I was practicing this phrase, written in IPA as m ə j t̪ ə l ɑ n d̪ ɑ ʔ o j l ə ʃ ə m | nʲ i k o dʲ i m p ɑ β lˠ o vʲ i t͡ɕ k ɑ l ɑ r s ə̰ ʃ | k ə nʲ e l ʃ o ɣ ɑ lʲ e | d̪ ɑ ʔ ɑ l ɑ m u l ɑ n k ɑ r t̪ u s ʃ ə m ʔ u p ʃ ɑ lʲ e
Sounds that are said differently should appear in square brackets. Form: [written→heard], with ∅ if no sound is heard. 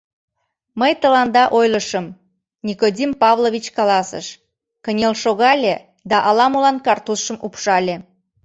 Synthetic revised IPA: m ə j t̪ ə l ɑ n d̪ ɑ ʔ o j l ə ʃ ə m | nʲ i k o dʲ i m p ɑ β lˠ o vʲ i t͡ɕ k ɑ l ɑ [r→∅] s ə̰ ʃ | k ə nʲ e l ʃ o ɣ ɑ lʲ e | d̪ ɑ ʔ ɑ l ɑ m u l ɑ n k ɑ r t̪ u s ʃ ə m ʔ u p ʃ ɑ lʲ e